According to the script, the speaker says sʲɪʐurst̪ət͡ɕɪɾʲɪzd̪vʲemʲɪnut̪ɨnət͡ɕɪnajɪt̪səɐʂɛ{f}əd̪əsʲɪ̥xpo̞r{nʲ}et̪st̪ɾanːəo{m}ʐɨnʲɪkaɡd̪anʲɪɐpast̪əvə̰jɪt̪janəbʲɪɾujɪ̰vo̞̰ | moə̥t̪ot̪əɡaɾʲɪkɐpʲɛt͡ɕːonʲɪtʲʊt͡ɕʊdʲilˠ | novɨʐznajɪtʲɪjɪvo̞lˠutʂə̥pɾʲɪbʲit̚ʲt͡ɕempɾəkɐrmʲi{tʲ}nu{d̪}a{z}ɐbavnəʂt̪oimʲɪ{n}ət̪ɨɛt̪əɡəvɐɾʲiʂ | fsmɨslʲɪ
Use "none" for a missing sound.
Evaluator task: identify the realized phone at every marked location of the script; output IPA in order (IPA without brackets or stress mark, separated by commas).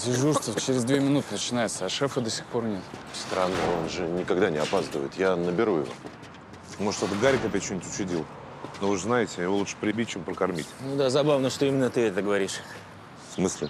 f, nʲ, n, tʲ, d̪, z, nː